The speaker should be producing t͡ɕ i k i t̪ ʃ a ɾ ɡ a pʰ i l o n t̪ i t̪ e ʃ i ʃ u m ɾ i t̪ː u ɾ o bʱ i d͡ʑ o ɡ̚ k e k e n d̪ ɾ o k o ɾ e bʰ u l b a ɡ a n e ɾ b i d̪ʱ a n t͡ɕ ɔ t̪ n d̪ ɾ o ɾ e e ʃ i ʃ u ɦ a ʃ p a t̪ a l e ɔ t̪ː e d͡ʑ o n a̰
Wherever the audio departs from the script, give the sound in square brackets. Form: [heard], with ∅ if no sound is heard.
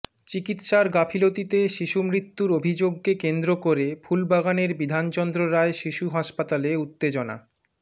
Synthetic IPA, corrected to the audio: t͡ɕ i k i t̪ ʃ a ɾ ɡ a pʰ i l o [∅] t̪ i t̪ e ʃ i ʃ u m ɾ i t̪ː u ɾ o bʱ i d͡ʑ o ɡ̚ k e k e n d̪ ɾ o k o ɾ e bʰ u l b a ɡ a n e ɾ b i d̪ʱ a n t͡ɕ ɔ [∅] n d̪ ɾ o ɾ [a] e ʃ i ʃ u ɦ a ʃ p a t̪ a l e [u] t̪ː e d͡ʑ o n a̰